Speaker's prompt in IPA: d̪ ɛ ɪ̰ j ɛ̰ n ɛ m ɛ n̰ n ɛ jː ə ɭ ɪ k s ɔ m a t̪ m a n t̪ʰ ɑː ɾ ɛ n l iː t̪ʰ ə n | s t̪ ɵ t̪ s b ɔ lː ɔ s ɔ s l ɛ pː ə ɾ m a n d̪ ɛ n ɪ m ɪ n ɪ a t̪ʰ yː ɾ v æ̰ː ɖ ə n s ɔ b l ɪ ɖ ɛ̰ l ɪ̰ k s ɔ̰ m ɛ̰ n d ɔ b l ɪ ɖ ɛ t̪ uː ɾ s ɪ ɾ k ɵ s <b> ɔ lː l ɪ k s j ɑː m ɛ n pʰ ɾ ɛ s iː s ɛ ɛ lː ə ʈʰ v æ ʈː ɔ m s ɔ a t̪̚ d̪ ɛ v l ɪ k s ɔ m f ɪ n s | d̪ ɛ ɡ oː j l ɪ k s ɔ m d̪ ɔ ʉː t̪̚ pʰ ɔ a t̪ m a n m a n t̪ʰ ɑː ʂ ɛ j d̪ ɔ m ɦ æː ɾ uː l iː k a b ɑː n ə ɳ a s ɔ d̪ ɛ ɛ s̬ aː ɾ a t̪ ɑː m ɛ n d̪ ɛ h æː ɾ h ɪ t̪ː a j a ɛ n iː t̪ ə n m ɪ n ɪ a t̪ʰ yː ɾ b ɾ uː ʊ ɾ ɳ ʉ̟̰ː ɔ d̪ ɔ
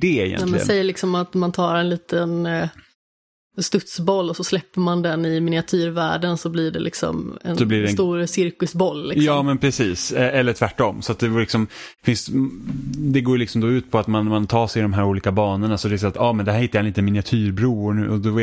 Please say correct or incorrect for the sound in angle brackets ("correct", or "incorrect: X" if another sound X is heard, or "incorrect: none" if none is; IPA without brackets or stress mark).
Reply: correct